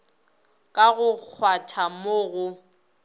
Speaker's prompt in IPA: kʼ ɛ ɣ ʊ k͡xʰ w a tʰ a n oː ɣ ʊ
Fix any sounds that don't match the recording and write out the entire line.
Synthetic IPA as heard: kʼ a ɣ ʊ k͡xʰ w a tʰ a m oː ɣ ʊ